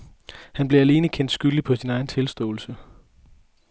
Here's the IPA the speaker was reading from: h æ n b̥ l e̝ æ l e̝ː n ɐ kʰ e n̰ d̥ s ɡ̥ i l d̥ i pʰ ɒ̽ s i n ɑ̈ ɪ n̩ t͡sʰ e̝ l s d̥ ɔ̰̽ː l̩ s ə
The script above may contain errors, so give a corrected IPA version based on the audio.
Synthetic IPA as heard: h æ n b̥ l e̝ æ l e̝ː n ə kʰ e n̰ d̥ s ɡ̥ y l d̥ i pʰ ɒ̽ s i n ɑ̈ ɪ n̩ t͡sʰ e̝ l s d̥ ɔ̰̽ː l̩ s ə